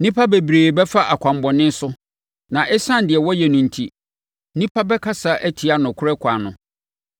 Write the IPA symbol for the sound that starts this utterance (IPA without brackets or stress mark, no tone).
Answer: n